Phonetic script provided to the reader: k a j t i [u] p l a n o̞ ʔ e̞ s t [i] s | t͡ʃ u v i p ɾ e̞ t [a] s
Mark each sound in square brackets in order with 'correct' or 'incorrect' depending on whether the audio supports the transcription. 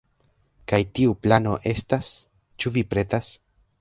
correct, incorrect, correct

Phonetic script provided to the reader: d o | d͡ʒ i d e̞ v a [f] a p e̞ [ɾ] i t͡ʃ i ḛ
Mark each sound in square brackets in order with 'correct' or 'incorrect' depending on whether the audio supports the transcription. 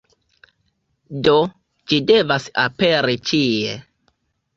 incorrect, correct

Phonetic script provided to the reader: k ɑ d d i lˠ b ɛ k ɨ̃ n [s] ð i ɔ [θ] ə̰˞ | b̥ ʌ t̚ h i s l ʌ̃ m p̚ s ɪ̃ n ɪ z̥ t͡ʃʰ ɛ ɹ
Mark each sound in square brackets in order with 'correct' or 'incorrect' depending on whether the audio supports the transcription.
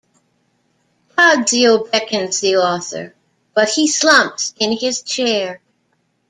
incorrect, correct

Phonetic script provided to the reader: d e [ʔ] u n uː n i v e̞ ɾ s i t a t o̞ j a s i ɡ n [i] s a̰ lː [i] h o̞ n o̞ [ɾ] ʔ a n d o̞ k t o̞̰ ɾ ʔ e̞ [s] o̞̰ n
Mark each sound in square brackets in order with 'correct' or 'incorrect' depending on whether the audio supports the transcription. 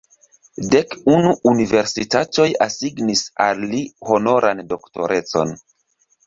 incorrect, correct, correct, correct, incorrect

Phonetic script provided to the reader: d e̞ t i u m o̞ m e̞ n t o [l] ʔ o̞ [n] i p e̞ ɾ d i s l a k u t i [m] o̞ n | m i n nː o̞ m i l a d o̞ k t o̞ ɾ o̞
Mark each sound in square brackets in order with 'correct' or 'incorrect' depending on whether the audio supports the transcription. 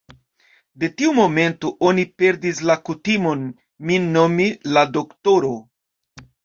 incorrect, correct, correct

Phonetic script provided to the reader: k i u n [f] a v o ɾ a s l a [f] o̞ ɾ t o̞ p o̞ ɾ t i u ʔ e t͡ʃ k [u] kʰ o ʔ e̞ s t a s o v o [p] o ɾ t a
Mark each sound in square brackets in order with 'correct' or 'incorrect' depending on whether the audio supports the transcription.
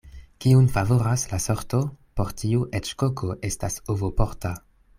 correct, incorrect, incorrect, correct

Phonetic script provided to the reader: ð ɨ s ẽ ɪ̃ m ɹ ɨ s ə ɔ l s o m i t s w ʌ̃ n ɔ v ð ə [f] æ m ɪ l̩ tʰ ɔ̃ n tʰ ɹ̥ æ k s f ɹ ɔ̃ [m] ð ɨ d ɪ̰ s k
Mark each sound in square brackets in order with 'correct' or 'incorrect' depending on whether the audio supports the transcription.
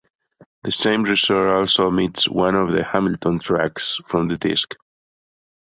incorrect, correct

